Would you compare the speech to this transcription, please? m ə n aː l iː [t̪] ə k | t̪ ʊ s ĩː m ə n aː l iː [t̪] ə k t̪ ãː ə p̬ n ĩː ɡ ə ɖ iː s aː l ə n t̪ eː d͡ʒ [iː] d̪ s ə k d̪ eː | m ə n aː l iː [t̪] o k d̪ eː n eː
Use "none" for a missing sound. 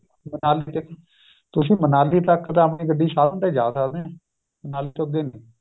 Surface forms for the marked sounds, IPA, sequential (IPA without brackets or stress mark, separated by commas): t̪, t̪, aː, t̪